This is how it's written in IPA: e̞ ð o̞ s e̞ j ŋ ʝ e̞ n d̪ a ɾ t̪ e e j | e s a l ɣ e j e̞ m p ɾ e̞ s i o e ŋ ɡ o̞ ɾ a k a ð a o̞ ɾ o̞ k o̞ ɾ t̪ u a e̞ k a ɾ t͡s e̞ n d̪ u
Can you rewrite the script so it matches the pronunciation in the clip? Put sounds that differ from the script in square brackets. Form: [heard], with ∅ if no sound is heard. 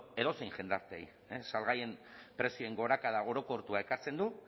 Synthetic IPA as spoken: e̞ ð o̞ s e̞ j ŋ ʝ e̞ n d̪ a ɾ t̪ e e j | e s a l ɣ [a] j e̞ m p ɾ e̞ s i o e ŋ ɡ o̞ ɾ a k a ð a o̞ ɾ o̞ k o̞ ɾ t̪ u a e̞ k a ɾ t͡s e̞ n d̪ u